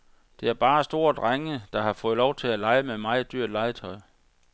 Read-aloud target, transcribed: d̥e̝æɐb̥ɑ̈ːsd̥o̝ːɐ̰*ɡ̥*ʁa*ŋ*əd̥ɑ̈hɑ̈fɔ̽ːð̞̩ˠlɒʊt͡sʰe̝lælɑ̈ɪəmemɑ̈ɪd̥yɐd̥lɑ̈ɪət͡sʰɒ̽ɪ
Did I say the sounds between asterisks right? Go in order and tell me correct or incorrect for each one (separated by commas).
incorrect, correct